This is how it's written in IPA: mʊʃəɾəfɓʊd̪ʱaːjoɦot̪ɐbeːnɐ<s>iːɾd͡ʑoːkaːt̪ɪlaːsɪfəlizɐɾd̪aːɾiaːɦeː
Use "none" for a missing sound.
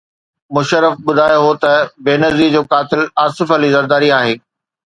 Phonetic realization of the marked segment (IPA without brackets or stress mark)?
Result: z